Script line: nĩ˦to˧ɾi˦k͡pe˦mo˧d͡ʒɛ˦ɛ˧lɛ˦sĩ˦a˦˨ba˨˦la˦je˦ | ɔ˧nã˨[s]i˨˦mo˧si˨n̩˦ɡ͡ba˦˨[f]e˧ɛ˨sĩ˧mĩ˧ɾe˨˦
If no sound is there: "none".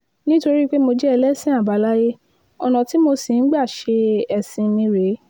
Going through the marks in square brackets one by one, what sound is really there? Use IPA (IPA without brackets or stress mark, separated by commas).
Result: t, ʃ